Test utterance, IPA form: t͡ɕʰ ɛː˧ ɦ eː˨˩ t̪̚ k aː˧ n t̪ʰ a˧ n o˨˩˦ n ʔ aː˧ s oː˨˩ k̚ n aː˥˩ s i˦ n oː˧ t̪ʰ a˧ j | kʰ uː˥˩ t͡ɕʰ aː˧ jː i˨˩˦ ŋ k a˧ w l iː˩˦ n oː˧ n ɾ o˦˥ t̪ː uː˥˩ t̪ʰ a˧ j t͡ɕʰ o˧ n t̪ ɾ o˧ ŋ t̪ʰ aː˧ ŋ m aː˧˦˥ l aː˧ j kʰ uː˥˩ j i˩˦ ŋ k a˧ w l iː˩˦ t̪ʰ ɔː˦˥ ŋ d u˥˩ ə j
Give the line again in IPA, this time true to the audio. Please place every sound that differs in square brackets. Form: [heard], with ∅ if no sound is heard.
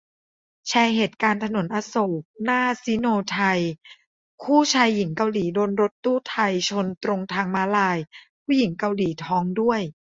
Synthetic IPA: t͡ɕʰ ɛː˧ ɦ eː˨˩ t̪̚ k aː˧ n t̪ʰ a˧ n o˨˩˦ n ʔ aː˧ s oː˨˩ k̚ n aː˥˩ s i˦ n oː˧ t̪ʰ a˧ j | kʰ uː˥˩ t͡ɕʰ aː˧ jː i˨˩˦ ŋ k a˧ w l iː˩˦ [d] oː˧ n ɾ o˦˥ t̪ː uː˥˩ t̪ʰ a˧ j t͡ɕʰ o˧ n t̪ ɾ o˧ ŋ t̪ʰ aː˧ ŋ m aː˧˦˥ l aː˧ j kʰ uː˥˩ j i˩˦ ŋ k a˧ w l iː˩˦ t̪ʰ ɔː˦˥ ŋ d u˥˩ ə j